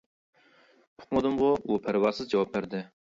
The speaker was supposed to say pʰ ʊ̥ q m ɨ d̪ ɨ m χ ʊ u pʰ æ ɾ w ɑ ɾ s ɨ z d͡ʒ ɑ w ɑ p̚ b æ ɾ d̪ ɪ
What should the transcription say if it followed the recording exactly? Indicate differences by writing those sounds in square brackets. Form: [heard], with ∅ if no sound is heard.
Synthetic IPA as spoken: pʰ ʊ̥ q m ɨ d̪ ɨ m [ʁ] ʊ u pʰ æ ɾ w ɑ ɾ s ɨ z d͡ʒ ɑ w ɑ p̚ b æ ɾ d̪ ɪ